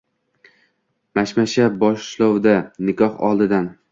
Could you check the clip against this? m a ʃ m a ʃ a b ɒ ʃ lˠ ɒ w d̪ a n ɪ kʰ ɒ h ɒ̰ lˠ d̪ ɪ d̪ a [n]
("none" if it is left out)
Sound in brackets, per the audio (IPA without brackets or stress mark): n